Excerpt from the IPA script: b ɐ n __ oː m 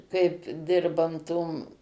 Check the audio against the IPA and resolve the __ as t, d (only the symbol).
t